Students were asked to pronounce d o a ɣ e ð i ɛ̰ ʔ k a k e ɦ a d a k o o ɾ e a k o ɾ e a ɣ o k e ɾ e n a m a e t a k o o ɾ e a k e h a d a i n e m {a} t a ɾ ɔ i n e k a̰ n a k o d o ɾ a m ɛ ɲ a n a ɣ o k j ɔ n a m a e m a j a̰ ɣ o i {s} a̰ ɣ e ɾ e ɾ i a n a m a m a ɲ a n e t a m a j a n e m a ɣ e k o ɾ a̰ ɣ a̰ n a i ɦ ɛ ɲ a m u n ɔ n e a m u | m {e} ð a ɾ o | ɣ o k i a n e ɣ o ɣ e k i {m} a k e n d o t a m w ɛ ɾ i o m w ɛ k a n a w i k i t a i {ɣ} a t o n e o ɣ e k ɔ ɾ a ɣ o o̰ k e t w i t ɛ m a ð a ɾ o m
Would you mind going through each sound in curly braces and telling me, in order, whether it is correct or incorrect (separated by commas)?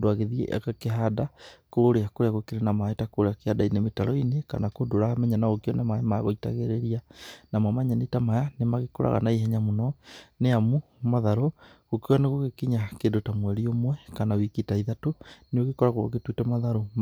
incorrect, incorrect, incorrect, incorrect, incorrect